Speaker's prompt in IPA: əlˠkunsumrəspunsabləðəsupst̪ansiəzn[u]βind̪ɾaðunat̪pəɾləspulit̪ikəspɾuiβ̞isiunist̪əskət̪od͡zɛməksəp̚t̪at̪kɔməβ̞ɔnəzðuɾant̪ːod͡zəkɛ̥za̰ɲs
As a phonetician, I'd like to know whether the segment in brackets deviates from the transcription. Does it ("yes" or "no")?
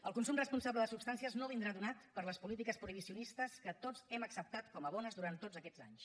yes